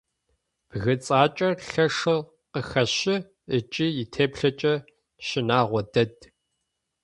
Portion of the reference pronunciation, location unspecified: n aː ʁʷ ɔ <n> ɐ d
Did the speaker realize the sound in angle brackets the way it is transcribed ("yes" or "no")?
no